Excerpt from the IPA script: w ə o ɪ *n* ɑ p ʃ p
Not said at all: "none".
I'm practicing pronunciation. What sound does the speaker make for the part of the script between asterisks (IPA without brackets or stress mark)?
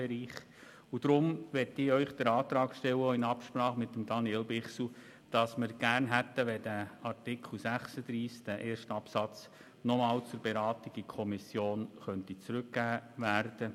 n